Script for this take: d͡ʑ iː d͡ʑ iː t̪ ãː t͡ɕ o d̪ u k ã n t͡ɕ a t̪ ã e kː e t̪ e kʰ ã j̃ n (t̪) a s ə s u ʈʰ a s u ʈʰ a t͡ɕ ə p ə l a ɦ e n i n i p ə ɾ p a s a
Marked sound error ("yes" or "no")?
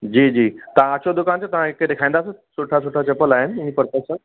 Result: yes